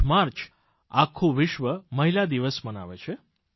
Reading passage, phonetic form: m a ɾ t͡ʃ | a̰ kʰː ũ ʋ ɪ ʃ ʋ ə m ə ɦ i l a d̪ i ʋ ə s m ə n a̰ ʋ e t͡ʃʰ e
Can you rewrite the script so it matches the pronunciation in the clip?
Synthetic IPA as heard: m a ɾ t͡ʃ | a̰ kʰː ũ ʋ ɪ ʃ ʋ ə m ə ɦ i l a d̪ i ʋ ə s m ə n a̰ ʋ e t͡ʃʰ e